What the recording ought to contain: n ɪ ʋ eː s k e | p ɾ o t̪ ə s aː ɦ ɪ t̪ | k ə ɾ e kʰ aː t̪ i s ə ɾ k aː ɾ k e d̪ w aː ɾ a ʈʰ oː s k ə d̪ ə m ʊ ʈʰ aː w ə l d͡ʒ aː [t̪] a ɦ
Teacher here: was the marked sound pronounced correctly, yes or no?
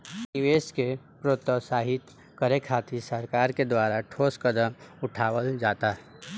yes